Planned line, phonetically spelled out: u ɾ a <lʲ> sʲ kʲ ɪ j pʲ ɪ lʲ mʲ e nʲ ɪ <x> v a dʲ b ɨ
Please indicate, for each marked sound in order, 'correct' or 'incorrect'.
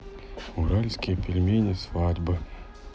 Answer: correct, incorrect: s

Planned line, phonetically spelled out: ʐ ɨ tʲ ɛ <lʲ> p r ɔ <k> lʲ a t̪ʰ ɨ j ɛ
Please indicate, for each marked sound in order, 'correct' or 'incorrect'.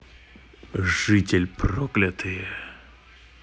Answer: correct, correct

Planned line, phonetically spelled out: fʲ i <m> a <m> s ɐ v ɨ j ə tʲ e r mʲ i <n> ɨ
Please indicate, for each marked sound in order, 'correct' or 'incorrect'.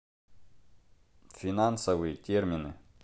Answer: incorrect: n, incorrect: n, correct

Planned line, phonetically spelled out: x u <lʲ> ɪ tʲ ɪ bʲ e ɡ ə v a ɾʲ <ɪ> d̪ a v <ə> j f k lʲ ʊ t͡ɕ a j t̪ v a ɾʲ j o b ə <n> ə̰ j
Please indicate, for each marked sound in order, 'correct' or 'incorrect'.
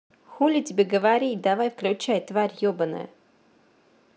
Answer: correct, incorrect: i, incorrect: a, correct

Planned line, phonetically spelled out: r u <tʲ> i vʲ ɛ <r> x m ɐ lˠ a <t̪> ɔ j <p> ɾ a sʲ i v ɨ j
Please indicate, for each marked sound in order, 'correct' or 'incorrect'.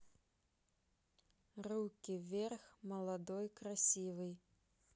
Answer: incorrect: kʲ, correct, incorrect: d̪, incorrect: k

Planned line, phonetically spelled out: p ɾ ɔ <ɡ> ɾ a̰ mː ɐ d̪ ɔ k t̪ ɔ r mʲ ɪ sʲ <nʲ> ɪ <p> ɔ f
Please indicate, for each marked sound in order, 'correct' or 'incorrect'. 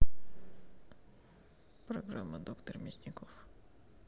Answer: correct, correct, incorrect: k

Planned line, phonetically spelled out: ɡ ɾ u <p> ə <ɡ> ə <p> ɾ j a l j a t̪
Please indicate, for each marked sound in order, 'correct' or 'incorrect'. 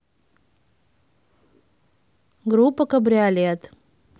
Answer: correct, incorrect: k, incorrect: b

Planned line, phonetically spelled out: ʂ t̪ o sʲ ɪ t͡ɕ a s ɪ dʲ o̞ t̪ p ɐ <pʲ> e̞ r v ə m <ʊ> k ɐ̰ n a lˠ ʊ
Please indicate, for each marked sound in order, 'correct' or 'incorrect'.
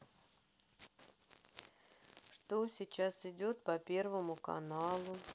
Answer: correct, correct

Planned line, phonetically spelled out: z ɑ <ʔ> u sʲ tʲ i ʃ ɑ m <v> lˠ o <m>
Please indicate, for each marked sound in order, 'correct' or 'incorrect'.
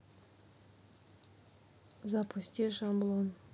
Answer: incorrect: p, incorrect: b, incorrect: n

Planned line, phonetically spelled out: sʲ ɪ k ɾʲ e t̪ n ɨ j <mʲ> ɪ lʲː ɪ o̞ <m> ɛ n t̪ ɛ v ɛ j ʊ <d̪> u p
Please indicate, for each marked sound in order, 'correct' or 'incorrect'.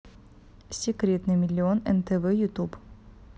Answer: correct, incorrect: n, incorrect: t̪

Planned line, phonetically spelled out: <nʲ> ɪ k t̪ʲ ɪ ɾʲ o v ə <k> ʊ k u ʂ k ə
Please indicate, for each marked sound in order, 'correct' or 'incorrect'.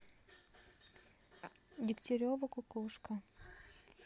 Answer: incorrect: dʲ, correct

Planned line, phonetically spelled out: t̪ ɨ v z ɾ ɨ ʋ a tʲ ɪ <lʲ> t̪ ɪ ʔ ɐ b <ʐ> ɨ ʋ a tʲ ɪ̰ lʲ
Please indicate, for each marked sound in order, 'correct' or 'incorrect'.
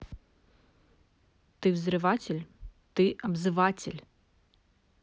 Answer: correct, incorrect: z

